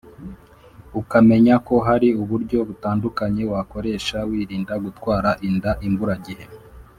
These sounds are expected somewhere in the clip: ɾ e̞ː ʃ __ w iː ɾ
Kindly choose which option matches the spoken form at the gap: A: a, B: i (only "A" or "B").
A